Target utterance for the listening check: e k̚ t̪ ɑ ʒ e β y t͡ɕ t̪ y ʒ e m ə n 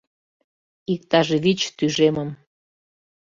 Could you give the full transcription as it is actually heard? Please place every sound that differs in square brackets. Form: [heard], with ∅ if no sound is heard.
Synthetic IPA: [i] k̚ t̪ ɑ ʒ e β [i] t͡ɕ t̪ y ʒ e m ə [m]